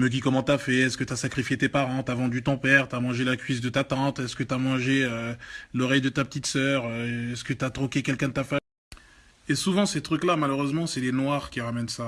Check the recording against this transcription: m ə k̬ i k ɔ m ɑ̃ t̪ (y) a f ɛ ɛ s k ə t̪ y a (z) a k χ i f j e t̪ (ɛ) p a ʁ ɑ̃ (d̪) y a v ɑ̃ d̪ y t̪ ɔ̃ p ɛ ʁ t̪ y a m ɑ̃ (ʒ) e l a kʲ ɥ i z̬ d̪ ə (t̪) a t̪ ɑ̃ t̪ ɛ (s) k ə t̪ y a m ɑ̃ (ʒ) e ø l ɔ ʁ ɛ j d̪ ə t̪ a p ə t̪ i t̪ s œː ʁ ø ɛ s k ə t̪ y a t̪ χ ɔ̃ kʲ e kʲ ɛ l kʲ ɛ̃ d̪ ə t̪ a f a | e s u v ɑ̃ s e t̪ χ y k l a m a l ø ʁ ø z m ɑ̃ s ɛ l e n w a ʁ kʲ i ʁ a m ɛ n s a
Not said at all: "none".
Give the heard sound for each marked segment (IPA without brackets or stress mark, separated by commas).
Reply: y, s, e, t̪, ʒ, t̪, s, ʒ